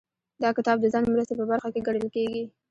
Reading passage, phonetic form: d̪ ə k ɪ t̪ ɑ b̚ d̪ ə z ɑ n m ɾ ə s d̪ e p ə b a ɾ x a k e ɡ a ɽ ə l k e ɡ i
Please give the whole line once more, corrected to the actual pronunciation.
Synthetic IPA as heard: d̪ ɑ k ɪ t̪ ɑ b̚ d̪ ə z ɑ n m ɾ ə s t̪ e p ə b a ɾ x a k e ɡ a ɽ ə l k e ɡ i